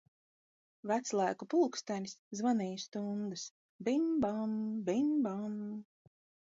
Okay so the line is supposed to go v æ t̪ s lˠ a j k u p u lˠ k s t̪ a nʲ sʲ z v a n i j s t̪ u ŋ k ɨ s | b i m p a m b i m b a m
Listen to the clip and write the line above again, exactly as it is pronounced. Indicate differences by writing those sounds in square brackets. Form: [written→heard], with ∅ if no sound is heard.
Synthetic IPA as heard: v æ t̪ s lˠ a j k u p u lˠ k s t̪ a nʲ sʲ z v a n i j s t̪ u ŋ [k→ɡ] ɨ s | b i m [p→b] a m b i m b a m